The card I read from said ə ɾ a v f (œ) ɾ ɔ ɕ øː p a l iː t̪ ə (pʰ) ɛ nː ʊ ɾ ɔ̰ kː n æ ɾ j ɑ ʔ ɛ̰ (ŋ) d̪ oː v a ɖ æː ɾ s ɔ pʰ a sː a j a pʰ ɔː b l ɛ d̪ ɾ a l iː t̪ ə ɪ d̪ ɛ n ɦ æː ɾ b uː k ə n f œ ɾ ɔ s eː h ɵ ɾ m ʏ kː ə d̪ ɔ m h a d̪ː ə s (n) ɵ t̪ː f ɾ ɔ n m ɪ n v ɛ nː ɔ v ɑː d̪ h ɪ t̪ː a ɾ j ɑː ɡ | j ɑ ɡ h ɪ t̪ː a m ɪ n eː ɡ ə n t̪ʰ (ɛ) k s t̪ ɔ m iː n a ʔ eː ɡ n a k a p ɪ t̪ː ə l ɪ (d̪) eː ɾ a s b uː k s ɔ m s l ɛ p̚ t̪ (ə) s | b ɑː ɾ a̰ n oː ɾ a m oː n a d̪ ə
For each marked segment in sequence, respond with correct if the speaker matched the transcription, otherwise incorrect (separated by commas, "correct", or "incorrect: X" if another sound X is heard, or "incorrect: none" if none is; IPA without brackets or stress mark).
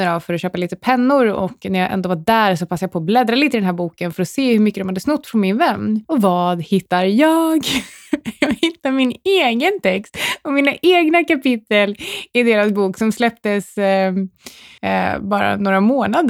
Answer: correct, correct, incorrect: n, correct, correct, correct, correct